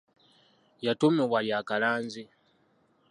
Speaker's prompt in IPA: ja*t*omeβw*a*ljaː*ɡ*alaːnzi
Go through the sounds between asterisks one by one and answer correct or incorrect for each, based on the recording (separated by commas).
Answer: correct, correct, incorrect